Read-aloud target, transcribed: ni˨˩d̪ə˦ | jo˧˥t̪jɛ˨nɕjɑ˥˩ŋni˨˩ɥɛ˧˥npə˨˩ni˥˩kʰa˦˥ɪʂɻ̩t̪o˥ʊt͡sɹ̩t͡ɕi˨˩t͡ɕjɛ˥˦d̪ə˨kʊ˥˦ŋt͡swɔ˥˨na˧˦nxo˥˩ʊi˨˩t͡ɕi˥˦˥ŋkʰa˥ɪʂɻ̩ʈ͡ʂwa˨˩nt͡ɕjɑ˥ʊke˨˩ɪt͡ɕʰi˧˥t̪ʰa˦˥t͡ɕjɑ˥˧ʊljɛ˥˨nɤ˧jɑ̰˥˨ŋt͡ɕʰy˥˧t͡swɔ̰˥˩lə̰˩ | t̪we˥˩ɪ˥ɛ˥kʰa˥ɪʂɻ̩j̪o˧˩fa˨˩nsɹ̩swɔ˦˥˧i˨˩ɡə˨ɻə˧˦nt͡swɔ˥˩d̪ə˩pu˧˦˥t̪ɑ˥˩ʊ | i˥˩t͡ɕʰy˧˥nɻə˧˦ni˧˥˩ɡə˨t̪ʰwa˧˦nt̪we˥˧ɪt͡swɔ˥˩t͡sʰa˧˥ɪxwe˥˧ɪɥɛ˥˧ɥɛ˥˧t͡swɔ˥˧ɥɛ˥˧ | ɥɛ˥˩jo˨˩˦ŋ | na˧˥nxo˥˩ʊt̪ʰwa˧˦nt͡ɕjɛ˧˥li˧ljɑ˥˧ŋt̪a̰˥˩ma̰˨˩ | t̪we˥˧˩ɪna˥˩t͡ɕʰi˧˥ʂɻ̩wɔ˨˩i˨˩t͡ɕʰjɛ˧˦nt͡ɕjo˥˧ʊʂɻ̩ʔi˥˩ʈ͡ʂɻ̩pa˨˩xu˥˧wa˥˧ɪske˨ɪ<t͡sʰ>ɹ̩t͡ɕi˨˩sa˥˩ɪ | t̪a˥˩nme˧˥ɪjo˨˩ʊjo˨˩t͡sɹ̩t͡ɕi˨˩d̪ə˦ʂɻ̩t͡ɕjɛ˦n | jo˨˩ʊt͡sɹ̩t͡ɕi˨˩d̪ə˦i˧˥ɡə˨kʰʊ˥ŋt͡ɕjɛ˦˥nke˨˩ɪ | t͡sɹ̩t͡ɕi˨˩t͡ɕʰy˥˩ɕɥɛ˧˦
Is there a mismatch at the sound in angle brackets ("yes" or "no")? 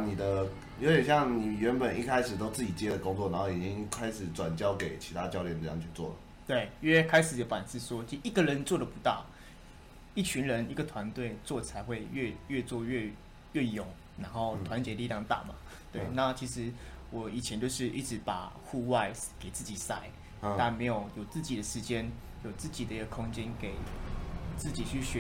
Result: yes